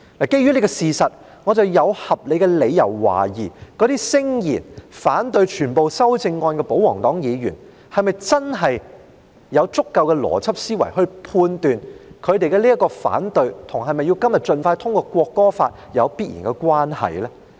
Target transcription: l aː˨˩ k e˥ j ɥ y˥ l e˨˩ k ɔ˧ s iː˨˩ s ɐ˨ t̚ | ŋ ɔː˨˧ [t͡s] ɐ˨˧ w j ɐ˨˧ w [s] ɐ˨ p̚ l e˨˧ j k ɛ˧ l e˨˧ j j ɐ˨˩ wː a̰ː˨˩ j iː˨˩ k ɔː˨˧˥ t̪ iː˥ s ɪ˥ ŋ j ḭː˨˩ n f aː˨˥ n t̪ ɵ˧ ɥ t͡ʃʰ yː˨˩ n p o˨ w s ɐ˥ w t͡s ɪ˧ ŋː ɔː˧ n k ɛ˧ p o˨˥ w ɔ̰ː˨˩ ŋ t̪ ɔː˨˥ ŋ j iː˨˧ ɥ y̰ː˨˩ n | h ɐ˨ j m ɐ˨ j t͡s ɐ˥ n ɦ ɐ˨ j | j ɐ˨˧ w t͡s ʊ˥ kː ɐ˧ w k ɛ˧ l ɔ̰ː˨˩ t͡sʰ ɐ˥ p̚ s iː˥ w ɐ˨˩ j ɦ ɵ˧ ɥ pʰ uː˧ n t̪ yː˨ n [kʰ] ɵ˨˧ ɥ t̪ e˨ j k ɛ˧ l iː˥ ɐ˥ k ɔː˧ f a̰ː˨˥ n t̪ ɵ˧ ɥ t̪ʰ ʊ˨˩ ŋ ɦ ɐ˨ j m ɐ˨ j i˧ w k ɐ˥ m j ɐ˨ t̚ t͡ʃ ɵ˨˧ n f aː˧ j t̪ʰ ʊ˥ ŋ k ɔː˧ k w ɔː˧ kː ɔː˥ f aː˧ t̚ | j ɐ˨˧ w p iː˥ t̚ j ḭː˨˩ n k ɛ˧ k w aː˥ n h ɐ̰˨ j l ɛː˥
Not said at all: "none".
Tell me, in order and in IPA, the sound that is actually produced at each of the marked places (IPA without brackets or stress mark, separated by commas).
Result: t͡s, h, kʰ